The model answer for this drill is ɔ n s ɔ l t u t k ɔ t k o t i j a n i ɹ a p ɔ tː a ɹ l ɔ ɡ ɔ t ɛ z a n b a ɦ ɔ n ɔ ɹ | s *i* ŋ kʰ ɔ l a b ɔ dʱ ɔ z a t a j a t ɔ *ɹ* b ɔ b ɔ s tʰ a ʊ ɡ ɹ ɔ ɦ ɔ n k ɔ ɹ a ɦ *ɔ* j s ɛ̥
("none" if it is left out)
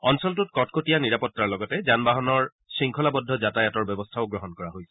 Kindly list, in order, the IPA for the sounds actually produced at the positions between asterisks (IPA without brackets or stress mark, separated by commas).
i, ɹ, o